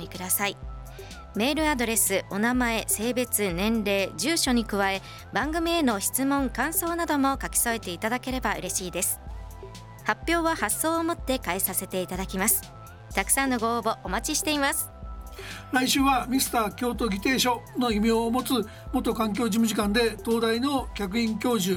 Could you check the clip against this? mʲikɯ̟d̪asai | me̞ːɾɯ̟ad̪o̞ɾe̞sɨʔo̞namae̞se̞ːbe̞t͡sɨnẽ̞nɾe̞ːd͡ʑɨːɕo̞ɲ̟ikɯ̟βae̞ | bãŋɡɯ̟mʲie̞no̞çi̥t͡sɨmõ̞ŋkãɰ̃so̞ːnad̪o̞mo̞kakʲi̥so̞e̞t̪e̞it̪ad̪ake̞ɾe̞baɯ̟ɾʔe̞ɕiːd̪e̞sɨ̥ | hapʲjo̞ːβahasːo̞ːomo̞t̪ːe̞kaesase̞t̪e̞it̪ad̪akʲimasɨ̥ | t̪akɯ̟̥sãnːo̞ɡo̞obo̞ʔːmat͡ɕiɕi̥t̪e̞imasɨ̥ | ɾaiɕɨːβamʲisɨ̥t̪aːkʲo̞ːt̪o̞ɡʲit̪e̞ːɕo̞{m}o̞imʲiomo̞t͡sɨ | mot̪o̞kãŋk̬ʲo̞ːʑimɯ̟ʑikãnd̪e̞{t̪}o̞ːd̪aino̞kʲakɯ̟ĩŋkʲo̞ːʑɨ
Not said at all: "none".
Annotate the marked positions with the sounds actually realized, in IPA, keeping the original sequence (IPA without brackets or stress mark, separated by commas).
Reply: n, t̪